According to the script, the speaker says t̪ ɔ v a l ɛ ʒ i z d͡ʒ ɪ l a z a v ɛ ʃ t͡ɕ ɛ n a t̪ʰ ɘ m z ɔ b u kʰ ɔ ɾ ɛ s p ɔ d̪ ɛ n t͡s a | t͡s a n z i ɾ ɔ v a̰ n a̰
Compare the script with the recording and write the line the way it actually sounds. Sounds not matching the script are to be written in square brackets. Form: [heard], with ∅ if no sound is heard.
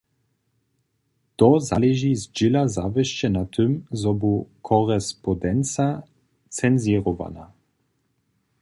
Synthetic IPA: t̪ ɔ [z] a l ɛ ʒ i z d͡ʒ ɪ l a z a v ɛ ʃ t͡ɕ ɛ n a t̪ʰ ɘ m z ɔ b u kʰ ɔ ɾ ɛ s p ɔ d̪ ɛ n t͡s a | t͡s [ɛ] n z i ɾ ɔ v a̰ n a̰